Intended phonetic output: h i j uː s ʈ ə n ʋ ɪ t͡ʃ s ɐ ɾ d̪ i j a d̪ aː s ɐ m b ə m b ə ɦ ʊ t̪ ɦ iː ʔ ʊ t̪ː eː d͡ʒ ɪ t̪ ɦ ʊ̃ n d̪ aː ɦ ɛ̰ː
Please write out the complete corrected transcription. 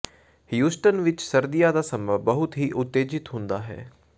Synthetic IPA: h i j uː s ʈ ə n ʋ ɪ t͡ʃ s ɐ ɾ d̪ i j a d̪ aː s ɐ m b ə b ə ɦ ʊ t̪ ɦ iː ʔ ʊ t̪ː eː d͡ʒ ɪ t̪ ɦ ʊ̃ n d̪ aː ɦ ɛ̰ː